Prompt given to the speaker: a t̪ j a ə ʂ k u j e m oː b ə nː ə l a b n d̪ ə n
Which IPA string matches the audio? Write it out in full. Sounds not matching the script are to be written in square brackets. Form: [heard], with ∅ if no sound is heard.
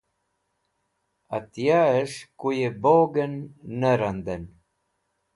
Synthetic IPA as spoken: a t̪ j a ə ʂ k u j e [b] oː [ɡ] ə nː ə [ɾ] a [∅] n d̪ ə n